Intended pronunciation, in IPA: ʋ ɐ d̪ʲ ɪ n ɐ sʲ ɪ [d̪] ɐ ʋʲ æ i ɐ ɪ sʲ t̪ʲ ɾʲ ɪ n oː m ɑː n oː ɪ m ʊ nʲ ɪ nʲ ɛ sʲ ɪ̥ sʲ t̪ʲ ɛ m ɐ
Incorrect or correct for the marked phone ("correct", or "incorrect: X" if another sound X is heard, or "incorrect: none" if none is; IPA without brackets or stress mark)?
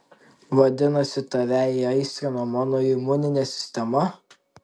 incorrect: t̪